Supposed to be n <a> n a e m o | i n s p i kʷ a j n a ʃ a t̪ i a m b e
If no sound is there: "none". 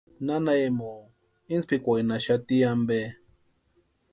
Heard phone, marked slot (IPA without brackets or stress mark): a